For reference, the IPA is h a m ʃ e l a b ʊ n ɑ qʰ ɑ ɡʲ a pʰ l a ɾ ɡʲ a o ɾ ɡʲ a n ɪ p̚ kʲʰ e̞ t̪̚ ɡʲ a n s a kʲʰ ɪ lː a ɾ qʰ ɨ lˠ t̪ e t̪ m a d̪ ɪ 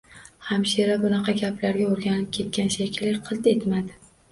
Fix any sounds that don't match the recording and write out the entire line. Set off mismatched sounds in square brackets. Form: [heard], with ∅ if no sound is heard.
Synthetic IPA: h a m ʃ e [ɾ] a b ʊ n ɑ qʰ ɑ ɡʲ a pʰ l a ɾ ɡʲ a o ɾ ɡʲ a n ɪ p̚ kʲʰ e̞ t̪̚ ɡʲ a n [ʃ] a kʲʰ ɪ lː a ɾ qʰ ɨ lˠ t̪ e t̪ m a d̪ ɪ